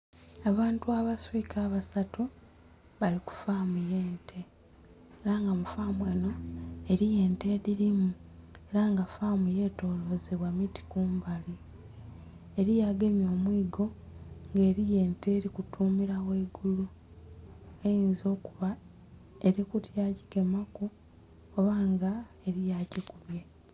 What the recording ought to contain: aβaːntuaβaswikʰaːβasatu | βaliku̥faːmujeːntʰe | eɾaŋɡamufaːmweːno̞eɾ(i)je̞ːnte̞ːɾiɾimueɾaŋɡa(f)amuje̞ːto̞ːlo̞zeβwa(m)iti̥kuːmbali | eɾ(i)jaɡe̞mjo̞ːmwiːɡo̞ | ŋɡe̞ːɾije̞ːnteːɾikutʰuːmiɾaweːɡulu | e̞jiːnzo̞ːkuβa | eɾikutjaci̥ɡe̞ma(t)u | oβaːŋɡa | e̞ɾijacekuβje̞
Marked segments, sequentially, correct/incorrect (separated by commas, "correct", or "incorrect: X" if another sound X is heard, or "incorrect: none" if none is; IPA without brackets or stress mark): correct, correct, correct, correct, incorrect: k